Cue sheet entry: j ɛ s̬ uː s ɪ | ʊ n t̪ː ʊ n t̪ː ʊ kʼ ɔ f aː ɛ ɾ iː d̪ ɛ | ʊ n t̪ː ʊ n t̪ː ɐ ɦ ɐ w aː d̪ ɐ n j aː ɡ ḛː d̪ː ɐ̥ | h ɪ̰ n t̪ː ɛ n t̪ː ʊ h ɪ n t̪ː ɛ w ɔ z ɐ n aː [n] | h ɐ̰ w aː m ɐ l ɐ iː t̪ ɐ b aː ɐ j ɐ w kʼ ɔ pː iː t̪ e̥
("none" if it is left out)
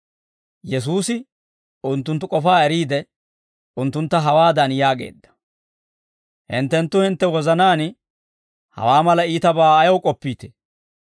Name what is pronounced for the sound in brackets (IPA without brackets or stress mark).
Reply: n